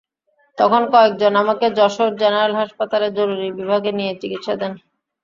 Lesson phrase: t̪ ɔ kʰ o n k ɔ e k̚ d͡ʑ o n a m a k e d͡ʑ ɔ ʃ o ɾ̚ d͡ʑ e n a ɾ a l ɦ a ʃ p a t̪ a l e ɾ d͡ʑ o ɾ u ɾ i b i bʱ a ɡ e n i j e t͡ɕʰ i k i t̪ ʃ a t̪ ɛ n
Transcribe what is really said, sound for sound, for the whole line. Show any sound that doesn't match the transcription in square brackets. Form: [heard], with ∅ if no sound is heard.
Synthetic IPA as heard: t̪ ɔ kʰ o n k ɔ e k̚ d͡ʑ o n a m a k e d͡ʑ ɔ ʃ o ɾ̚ d͡ʑ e n a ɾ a l ɦ a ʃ p a t̪ a l e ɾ d͡ʑ o ɾ u ɾ i b i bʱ a ɡ e n i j e [t͡ɕ] i k i t̪ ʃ a [d̪] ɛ n